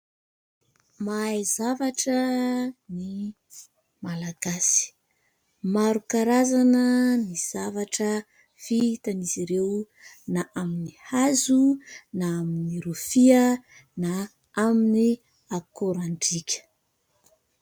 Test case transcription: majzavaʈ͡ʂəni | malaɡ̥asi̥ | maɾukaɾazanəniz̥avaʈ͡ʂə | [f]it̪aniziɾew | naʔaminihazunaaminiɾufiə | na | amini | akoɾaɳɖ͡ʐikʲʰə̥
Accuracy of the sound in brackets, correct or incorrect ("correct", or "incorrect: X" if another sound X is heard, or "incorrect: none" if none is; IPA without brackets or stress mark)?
correct